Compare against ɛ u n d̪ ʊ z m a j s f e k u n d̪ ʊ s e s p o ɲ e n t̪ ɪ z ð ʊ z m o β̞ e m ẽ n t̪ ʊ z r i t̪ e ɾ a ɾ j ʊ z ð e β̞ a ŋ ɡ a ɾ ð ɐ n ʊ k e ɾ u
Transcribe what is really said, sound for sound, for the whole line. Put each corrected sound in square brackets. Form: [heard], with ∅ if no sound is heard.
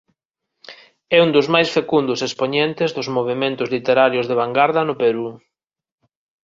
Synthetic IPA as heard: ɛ u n d̪ ʊ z m a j s f e k u n d̪ ʊ s e s p o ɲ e n t̪ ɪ z ð ʊ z m o β̞ e m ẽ n t̪ ʊ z [l] i t̪ e ɾ a ɾ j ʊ z ð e β̞ a ŋ ɡ a ɾ ð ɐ n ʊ [p] e ɾ u